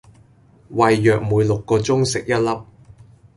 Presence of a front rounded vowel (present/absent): present